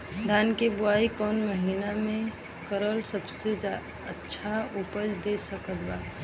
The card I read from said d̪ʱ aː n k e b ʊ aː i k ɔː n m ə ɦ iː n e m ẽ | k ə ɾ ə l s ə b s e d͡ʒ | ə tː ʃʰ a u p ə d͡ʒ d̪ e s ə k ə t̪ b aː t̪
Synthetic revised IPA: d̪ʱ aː n k e b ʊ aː i k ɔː n m ə ɦ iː n a m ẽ | k ə ɾ ə l s ə b s e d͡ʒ | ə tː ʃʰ a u p ə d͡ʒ d̪ e s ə k ə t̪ b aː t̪

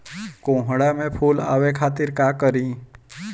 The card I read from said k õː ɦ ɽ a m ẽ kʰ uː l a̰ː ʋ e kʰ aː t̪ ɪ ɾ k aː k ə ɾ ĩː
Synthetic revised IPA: k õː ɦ ɽ a m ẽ pʰ uː l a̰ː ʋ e kʰ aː t̪ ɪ ɾ k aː k ə ɾ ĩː

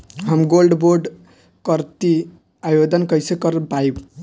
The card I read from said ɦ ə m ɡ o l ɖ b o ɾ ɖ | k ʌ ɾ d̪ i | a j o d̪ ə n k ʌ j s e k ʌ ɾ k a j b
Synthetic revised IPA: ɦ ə m ɡ o l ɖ b o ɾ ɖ | k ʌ ɾ t̪ i | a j o d̪ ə n k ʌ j s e k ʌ ɾ p a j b

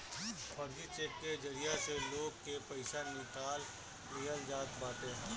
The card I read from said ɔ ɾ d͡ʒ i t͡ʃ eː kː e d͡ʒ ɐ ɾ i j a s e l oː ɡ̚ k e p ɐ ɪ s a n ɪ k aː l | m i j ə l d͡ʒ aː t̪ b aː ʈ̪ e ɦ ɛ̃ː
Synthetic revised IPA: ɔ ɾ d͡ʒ i t͡ʃ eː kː e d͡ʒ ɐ ɾ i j a s e l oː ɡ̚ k e p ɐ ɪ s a n ɪ k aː l | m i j ə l d͡ʒ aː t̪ b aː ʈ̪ e ɦ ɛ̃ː

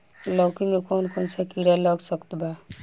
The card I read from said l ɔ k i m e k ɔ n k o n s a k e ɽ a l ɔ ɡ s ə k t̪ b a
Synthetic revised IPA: l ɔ k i m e k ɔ n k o n s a k i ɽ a l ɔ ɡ s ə k t̪ b a

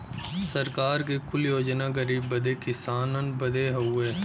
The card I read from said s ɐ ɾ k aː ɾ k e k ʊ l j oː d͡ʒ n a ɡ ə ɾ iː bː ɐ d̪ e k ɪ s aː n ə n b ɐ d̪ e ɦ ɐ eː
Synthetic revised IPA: s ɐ ɾ k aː ɾ k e k ʊ l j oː d͡ʒ n a ɡ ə ɾ iː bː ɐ d̪ e k ɪ s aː n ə n b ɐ d̪ e ɦ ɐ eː

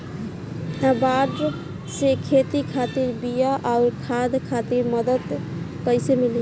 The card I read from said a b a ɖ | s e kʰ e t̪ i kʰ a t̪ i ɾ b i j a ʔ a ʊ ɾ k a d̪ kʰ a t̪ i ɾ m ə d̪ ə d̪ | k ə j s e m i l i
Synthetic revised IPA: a b a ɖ | s e kʰ e t̪ i kʰ a t̪ i ɾ b i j a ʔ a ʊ ɾ kʰ a d̪ kʰ a t̪ i ɾ m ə d̪ ə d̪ | k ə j s e m i l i

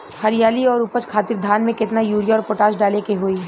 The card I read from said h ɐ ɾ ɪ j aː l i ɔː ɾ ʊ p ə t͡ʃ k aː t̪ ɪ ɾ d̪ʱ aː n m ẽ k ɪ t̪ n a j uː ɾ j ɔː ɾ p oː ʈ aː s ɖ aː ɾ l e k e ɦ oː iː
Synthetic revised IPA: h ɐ ɾ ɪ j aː l i ɔː ɾ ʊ p ə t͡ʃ kʰ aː t̪ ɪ ɾ d̪ʱ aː n m ẽ k ɪ t̪ n a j uː ɾ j ɔː ɾ p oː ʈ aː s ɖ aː l e k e ɦ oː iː

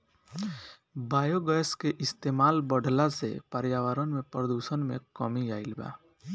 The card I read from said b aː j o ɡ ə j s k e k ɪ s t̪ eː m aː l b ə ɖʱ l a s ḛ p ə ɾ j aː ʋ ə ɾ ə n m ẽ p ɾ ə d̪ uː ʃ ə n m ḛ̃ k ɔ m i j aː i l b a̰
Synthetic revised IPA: b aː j o ɡ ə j s k e ʔ ɪ s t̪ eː m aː l b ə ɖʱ l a s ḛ p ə ɾ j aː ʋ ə ɾ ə n m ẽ p ɾ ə d̪ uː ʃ ə n m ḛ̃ k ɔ m i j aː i l b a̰

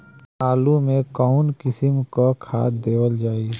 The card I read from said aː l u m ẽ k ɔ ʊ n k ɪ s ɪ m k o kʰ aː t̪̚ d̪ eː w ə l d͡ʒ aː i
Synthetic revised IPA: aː l u m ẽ k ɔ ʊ n k ɪ s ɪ m k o kʰ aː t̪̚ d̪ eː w ə l d͡ʒ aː i

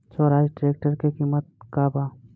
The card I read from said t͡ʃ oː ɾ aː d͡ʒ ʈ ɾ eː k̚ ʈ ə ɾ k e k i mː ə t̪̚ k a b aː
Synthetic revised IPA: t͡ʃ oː ɾ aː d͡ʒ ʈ ɾ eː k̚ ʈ ə ɾ k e k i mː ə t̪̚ k a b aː

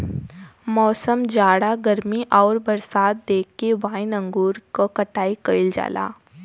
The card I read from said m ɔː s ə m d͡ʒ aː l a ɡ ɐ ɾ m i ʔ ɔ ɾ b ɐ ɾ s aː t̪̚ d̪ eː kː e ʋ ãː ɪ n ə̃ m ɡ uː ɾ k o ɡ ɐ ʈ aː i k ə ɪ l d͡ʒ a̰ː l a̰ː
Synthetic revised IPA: m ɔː s ə m d͡ʒ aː ɽ a ɡ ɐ ɾ m i ʔ ɔː ɾ b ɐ ɾ s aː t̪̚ d̪ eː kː e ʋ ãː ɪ n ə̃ ŋ ɡ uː ɾ k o k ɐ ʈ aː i k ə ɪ l d͡ʒ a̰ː l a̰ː

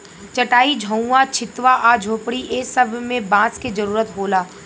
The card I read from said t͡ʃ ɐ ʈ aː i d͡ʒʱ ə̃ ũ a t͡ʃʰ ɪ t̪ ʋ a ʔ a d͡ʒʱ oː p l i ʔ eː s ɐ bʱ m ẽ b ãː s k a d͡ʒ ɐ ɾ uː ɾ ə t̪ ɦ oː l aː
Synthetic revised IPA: t͡ʃ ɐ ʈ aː i d͡ʒʱ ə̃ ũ a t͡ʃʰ ɪ t̪ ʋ a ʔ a d͡ʒʱ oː p ɽ i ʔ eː s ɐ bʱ m ẽ b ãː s k e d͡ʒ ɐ ɾ uː ɾ ə t̪ ɦ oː l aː

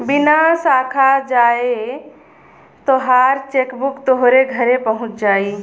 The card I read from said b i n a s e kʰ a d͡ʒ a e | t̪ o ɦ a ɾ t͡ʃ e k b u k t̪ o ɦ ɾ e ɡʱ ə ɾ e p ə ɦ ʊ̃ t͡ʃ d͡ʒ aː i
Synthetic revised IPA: b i n a s a kʰ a d͡ʒ a e | t̪ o ɦ a ɾ t͡ʃ e k b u k t̪ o ɦ ɾ e ɡʱ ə ɾ e p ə ɦ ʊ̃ t͡ʃ d͡ʒ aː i

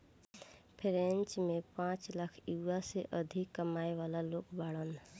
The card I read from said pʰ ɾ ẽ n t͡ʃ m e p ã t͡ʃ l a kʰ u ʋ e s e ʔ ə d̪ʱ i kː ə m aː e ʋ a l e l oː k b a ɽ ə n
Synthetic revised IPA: pʰ ɾ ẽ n t͡ʃ m e p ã t͡ʃ l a kʰ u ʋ a s e ʔ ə d̪ʱ i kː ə m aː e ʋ a l a l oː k b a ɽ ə n

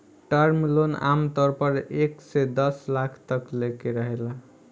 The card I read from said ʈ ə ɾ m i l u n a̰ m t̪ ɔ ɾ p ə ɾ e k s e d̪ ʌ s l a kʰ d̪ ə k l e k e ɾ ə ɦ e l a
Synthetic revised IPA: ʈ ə ɾ m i l o n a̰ m t̪ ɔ ɾ p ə ɾ e k s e d̪ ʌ s l a kʰ t̪ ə k l e k e ɾ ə ɦ e l a

